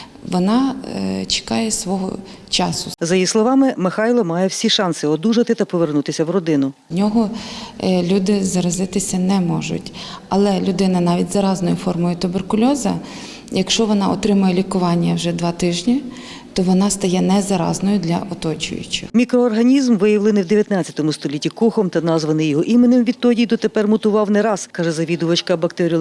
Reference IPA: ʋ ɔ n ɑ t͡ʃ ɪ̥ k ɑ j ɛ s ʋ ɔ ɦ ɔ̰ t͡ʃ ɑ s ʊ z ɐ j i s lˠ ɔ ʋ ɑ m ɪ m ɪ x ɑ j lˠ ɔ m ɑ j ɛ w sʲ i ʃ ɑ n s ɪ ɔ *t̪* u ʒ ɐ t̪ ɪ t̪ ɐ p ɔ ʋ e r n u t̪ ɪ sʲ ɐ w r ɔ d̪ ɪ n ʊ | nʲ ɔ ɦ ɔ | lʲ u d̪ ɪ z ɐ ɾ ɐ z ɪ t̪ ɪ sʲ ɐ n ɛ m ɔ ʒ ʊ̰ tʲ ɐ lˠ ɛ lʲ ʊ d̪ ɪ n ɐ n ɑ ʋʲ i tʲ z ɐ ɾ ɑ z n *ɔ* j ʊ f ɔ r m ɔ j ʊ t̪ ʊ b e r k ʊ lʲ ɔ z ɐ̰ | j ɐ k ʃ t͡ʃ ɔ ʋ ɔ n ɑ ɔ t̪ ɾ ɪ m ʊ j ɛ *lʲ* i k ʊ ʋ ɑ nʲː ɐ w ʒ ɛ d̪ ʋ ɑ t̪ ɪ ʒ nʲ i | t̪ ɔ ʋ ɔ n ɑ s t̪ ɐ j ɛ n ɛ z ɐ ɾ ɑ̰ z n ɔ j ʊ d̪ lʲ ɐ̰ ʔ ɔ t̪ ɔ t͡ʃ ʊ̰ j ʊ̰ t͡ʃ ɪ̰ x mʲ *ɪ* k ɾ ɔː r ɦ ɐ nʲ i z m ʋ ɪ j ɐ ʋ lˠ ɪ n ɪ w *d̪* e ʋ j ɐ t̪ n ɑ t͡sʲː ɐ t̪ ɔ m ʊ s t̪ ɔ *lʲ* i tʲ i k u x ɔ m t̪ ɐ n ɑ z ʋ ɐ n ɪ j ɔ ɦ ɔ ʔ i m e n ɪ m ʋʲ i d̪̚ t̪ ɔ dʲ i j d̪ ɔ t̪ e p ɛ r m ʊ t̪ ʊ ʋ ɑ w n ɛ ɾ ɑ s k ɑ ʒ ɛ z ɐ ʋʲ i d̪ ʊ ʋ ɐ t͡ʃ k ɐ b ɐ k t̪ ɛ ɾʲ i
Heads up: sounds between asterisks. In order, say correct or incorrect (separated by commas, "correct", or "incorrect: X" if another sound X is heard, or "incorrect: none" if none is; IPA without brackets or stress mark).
incorrect: d̪, correct, correct, incorrect: i, correct, correct